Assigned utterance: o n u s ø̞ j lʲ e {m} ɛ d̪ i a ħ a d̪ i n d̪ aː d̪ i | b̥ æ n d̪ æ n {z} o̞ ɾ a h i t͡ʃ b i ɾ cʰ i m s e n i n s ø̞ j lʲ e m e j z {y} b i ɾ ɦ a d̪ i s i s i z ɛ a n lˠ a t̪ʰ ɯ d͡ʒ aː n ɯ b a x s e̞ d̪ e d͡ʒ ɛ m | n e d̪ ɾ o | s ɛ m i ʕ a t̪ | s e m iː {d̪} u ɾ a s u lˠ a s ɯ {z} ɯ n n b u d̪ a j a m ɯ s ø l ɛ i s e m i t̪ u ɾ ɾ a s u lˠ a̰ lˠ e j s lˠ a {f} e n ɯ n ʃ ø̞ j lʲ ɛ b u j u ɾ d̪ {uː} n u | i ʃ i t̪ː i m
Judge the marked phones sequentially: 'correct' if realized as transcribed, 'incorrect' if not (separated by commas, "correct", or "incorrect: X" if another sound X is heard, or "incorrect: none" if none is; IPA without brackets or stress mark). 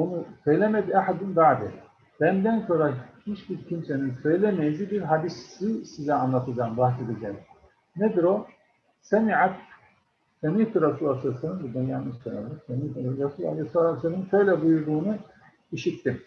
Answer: correct, incorrect: s, incorrect: i, incorrect: t̪, incorrect: s, incorrect: s, correct